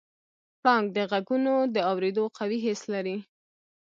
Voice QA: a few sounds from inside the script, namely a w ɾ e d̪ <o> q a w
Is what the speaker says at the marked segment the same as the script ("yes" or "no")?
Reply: yes